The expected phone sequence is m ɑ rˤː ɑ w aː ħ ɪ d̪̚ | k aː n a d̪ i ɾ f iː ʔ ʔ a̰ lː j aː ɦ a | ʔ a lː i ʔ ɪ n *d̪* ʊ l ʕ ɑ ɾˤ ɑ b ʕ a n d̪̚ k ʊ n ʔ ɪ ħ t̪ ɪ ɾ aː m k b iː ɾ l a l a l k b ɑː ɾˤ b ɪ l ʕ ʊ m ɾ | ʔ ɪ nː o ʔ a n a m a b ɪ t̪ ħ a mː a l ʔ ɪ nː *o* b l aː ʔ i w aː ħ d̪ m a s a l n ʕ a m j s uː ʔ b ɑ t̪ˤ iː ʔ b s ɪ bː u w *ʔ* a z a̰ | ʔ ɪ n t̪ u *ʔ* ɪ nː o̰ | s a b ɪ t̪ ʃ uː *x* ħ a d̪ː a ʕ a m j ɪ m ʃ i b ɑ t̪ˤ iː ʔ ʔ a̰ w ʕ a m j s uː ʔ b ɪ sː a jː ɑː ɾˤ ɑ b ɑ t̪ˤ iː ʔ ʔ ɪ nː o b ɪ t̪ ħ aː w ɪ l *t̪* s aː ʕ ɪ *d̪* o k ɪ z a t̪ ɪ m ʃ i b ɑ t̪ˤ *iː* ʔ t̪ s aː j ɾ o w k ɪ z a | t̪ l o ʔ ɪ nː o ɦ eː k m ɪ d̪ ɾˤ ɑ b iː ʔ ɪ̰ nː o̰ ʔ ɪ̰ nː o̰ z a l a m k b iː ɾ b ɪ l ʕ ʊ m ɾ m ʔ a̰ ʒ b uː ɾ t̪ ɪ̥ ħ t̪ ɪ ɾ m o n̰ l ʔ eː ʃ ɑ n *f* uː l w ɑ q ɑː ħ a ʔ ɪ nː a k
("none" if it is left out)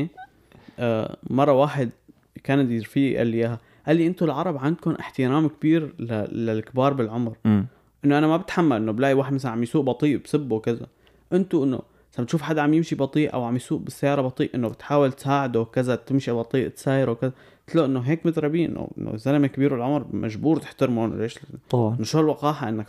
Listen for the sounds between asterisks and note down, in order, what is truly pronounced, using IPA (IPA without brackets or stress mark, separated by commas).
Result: t̪, o, k, ʔ, f, t̪, d̪, iː, ʃ